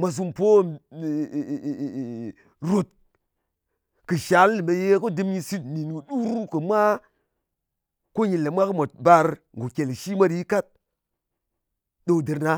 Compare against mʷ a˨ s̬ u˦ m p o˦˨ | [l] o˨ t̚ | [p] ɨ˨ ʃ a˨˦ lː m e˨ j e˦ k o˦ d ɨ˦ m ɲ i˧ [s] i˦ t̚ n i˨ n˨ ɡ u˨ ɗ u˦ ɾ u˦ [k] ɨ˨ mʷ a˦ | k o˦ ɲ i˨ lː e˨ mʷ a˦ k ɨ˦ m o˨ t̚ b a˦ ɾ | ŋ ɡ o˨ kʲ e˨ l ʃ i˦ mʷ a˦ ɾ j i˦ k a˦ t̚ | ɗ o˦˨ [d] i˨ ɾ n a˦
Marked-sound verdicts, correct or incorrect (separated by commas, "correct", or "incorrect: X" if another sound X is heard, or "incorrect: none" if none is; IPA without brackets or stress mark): incorrect: ɾ, incorrect: k, correct, correct, correct